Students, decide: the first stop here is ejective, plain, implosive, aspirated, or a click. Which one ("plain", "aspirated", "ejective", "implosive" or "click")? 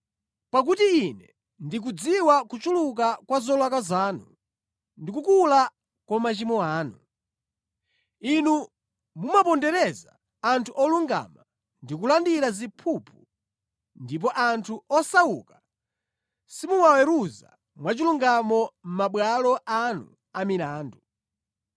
plain